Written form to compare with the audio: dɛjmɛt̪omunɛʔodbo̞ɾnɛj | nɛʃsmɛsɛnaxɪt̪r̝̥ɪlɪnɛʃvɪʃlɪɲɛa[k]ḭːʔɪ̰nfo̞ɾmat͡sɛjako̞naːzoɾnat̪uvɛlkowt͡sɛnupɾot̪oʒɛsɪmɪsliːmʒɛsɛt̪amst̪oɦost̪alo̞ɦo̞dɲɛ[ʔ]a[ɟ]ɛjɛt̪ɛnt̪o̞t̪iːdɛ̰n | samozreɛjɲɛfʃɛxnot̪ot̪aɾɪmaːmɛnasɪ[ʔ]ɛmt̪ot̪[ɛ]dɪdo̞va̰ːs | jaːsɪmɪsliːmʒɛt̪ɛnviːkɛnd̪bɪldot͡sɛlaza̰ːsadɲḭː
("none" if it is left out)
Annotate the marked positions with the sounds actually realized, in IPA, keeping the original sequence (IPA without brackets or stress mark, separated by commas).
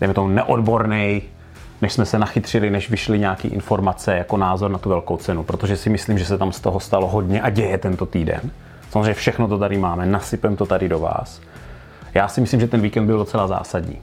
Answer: k, ʔ, ɟ, p, a